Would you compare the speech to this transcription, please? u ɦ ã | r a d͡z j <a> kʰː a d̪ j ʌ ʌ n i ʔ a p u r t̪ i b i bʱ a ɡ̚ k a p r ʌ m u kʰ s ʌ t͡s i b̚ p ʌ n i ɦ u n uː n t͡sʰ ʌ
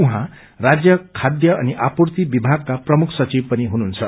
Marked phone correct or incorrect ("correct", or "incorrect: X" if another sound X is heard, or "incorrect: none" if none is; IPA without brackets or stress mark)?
incorrect: ʌ